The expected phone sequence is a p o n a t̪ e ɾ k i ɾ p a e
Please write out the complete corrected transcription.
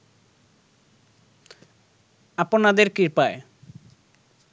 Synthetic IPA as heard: a p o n a d̪ e ɾ k i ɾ p a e